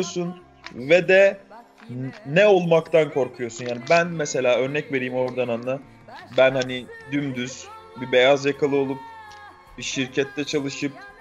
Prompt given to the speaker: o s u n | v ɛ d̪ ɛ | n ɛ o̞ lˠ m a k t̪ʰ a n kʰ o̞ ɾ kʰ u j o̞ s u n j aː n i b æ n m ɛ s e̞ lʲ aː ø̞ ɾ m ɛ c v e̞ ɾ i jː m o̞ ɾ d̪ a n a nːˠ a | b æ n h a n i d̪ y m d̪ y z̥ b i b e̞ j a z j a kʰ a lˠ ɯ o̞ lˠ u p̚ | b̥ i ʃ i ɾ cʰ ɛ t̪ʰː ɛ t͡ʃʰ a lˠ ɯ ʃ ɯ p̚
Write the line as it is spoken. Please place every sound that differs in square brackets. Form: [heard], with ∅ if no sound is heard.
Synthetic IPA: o s u n | v ɛ d̪ ɛ | n ɛ o̞ lˠ m a k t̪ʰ a n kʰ o̞ ɾ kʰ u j o̞ s u n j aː n i b æ n m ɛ s e̞ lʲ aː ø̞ ɾ [n] ɛ c v e̞ ɾ i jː m o̞ ɾ d̪ a n a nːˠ a | b æ n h a n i d̪ y m d̪ y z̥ b i b e̞ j a z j a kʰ a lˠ ɯ o̞ lˠ u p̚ | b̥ i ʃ i ɾ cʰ ɛ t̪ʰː ɛ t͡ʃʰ a lˠ ɯ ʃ ɯ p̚